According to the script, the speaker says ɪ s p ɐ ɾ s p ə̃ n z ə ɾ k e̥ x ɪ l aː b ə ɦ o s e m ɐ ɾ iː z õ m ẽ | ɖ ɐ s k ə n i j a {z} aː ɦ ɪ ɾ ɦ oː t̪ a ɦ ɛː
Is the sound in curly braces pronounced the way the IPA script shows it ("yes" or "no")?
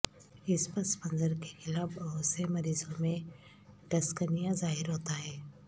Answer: yes